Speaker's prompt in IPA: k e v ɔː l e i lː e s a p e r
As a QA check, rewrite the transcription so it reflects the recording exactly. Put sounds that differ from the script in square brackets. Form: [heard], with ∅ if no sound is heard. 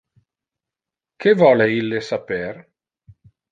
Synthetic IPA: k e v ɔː l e i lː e s a p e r

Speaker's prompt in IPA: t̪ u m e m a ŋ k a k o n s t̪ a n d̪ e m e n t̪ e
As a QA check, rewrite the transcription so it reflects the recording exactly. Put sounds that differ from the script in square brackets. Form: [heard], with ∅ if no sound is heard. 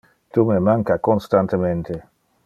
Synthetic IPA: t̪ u m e m a ŋ k a k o n s t̪ a n [t̪] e m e n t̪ e

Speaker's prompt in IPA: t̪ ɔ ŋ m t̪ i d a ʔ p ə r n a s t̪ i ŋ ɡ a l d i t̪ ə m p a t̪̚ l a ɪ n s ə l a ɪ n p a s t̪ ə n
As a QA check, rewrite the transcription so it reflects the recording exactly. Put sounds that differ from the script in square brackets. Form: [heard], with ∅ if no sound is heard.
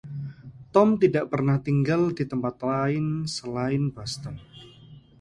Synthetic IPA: t̪ ɔ [∅] m t̪ i d a ʔ p ə r n a [h] t̪ i ŋ ɡ a l d i t̪ ə m p a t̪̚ l a ɪ n s ə l a ɪ n [b] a s t̪ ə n

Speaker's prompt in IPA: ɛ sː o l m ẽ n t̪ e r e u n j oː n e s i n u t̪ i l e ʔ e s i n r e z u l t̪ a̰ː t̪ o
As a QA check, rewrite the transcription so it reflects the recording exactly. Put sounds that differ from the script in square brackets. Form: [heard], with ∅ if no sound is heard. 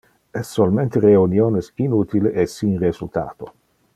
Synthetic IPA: ɛ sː o l m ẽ n t̪ e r e u n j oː n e s i n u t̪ i l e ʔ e s i n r e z u l t̪ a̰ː t̪ o

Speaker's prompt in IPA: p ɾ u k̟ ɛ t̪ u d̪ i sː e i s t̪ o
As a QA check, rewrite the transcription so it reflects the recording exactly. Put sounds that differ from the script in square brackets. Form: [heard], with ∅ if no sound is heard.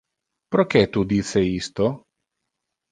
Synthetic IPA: p ɾ [o] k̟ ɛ t̪ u d̪ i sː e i s t̪ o

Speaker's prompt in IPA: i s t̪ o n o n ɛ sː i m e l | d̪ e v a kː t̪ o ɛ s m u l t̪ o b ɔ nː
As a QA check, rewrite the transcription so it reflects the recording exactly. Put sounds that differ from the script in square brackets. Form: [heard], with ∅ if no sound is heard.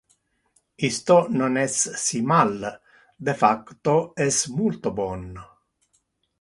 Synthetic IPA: i s t̪ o n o n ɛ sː i m [a] l | d̪ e [f] a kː t̪ o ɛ s m u l t̪ o b ɔ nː

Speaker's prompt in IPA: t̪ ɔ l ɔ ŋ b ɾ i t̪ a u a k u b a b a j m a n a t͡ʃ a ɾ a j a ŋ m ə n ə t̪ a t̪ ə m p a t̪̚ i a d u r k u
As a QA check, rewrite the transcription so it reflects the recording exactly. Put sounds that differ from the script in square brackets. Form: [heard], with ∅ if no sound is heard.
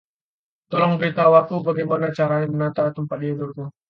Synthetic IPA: t̪ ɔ l ɔ ŋ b ɾ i t̪ a [w] a k u b a [ɡ] a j m a n a t͡ʃ a ɾ a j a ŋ m ə n [a] t̪ a t̪ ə m p a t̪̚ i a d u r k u

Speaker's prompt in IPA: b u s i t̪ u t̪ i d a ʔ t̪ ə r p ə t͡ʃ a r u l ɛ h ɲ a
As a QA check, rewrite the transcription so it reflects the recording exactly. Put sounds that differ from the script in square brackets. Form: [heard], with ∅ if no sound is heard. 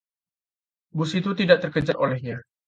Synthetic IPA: b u s i t̪ u t̪ i d a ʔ t̪ ə r [k] ə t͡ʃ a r [o] l ɛ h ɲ a

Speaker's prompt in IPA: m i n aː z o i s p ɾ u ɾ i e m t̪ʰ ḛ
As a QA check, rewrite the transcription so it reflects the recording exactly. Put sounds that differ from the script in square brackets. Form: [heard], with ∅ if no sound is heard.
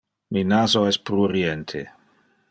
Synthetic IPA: m i n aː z o [ɛ] s p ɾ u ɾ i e [n] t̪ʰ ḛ

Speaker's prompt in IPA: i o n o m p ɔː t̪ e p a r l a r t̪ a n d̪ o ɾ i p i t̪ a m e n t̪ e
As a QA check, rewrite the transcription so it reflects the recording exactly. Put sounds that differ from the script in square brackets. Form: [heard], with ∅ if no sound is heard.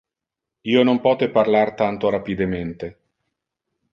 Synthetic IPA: [iː] o n o m p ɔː t̪ e p a r l a r t̪ a n [t̪] o ɾ [a] p i [d̪] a m e n t̪ e

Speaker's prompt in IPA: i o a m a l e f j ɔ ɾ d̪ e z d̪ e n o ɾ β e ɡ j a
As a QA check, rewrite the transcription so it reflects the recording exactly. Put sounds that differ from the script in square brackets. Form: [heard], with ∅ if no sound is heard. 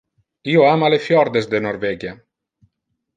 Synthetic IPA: i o a m a l e f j ɔ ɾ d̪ e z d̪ e n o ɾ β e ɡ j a

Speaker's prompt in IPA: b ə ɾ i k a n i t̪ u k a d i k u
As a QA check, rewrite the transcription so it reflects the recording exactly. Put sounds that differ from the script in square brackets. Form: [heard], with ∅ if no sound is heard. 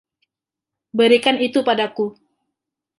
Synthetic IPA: b ə ɾ i k a n i t̪ u [p] a d [a] k u

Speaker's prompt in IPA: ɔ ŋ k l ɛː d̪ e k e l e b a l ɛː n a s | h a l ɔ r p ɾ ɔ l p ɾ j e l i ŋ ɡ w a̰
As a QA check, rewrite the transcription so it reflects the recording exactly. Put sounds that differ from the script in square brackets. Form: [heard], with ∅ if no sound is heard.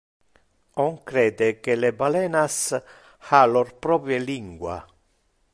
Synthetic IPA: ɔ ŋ k [ɾ] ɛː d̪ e k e l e b a l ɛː n a s | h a l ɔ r p ɾ ɔ [∅] p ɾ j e l i ŋ ɡ w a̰

